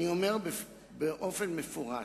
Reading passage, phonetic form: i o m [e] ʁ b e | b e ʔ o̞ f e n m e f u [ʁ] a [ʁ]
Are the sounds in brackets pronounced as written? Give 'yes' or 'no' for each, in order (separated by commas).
yes, yes, no